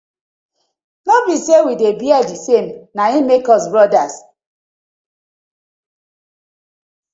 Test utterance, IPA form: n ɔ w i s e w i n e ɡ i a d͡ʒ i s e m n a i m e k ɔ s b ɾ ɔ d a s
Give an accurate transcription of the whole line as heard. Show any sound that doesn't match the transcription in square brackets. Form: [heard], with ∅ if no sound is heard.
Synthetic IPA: n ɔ [b] i s e w i [d] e [b] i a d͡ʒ i s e m n a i m e k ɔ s b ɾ ɔ d a s